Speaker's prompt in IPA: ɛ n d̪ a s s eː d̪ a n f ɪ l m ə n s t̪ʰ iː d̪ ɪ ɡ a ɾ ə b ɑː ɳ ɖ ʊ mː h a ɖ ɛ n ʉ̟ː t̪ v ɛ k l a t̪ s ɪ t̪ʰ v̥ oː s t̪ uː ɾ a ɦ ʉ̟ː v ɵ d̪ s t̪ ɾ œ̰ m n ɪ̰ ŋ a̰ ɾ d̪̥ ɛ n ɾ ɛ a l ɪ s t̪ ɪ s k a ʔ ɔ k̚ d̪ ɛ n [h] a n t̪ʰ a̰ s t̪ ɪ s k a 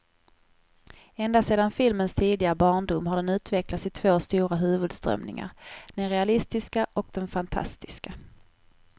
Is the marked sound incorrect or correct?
incorrect